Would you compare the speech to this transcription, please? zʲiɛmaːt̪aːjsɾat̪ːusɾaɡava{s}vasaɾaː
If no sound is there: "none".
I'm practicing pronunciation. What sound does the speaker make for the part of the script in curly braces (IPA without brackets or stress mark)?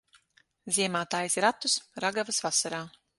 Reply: s